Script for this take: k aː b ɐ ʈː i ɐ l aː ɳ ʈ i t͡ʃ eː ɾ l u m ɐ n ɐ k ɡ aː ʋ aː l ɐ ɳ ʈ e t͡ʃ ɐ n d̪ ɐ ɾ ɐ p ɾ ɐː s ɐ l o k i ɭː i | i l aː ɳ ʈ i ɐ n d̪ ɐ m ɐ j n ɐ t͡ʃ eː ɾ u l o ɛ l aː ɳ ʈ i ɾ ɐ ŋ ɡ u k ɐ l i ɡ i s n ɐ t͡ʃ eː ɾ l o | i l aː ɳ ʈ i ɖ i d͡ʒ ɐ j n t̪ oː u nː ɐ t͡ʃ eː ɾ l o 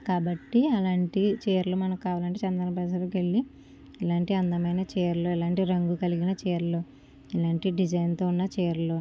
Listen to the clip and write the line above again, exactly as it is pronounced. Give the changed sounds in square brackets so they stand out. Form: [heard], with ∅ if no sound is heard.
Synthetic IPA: k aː b ɐ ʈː i ɐ l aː ɳ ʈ i t͡ʃ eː ɾ l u m ɐ n ɐ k [k] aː ʋ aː l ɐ ɳ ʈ e t͡ʃ ɐ n d̪ ɐ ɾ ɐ p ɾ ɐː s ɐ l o k [e] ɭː i | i l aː ɳ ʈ i ɐ n d̪ ɐ m ɐ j n ɐ t͡ʃ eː ɾ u l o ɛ l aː ɳ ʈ i ɾ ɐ ŋ ɡ u k ɐ l i ɡ i [∅] n ɐ t͡ʃ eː ɾ l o | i l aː ɳ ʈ i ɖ i d͡ʒ ɐ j n t̪ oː u nː ɐ t͡ʃ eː ɾ l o